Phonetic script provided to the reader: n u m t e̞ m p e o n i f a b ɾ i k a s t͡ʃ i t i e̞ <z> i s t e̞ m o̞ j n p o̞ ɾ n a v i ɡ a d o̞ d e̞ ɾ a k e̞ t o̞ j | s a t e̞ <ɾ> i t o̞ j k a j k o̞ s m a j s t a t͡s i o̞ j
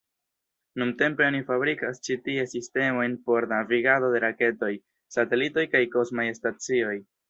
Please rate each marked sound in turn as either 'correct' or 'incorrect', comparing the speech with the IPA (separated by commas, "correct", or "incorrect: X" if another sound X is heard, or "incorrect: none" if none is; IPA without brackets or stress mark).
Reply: incorrect: s, incorrect: l